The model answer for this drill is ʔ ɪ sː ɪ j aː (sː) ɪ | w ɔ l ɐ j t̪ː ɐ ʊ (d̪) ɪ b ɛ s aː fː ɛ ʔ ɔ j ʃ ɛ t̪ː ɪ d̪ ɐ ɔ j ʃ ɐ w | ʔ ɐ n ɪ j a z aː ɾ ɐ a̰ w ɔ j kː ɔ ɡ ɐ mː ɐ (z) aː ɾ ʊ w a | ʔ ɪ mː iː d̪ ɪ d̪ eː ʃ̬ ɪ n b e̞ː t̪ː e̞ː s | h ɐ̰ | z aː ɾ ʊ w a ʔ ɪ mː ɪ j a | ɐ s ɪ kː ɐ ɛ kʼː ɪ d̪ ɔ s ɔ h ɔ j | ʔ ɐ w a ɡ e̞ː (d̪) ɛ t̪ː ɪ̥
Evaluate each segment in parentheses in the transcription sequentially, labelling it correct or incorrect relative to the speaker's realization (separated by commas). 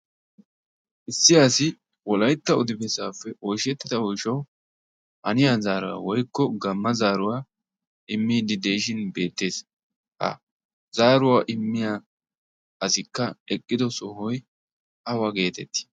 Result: incorrect, correct, correct, incorrect